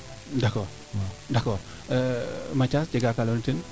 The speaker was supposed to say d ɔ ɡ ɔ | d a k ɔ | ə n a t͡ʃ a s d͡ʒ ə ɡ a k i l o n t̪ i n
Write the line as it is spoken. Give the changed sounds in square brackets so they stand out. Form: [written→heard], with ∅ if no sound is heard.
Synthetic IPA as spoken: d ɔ [ɡ→k] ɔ | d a k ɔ | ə [n→m] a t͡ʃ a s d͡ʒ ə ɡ a k [i→a] l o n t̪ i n